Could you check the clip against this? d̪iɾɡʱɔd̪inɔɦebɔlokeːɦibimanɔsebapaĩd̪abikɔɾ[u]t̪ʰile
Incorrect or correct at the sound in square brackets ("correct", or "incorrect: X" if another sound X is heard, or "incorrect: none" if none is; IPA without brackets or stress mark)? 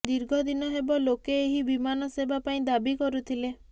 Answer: correct